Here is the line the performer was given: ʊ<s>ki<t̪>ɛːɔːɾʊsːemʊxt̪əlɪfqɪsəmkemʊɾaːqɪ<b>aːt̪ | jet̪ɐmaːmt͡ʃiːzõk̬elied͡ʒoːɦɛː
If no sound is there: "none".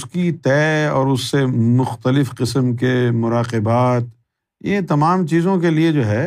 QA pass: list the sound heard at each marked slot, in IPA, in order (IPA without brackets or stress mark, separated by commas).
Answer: s, t̪, b